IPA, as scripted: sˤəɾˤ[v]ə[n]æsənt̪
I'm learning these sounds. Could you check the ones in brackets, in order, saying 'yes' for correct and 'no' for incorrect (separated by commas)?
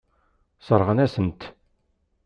no, yes